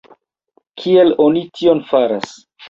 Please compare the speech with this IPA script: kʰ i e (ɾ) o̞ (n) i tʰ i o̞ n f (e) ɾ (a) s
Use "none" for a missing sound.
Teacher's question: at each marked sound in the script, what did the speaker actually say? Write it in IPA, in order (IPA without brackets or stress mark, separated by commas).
l, n, a, a